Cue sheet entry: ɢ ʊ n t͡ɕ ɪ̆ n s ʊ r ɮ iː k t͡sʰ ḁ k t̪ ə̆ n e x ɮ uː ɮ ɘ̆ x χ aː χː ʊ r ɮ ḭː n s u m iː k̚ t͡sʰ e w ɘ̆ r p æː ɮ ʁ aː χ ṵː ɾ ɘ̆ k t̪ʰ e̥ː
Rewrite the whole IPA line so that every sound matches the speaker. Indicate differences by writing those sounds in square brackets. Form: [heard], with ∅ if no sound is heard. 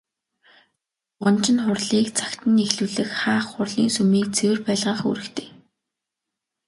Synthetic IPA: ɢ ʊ n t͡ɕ ɪ̆ n [χ] ʊ r ɮ iː k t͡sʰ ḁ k t̪ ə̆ n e x ɮ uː ɮ ɘ̆ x χ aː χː ʊ r ɮ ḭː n s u m iː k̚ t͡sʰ e w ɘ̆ r p æː ɮ ʁ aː χ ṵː ɾ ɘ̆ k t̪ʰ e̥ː